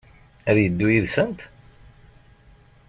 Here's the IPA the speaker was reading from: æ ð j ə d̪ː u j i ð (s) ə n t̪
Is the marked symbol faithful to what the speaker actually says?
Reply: yes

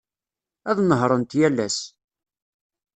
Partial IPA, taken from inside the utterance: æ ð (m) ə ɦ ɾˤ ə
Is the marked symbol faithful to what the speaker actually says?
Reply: no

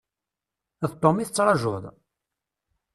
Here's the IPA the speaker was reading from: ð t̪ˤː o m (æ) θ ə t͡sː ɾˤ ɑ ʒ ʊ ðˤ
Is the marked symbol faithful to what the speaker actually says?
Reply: no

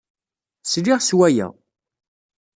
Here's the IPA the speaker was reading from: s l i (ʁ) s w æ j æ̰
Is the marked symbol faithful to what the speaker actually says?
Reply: yes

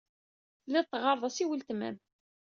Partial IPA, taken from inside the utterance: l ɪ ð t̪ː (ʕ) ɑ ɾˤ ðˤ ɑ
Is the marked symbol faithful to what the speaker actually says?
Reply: no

